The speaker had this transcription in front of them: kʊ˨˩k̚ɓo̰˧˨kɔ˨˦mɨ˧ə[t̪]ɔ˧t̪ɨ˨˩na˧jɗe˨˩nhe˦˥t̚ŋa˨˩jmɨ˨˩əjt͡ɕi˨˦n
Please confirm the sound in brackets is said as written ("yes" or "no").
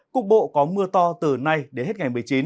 yes